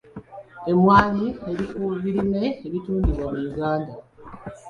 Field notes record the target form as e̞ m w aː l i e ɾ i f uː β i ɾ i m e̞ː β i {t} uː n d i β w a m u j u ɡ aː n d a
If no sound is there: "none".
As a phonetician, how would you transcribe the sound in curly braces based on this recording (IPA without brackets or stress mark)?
t